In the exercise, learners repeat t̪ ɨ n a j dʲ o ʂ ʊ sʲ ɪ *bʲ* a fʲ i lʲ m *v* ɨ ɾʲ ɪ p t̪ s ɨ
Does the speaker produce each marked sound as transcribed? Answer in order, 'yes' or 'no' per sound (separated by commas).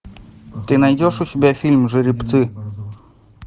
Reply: yes, no